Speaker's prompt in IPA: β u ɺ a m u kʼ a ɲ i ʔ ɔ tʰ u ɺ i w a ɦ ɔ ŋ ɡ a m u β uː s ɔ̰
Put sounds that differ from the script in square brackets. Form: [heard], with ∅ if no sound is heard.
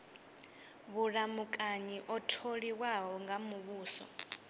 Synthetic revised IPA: β u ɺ a m u kʼ a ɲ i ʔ ɔ tʰ [o] ɺ i w a ɦ ɔ ŋ ɡ a m u β uː s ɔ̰